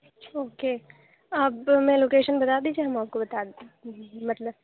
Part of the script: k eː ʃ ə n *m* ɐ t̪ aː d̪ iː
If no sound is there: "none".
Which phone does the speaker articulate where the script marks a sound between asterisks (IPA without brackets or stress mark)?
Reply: b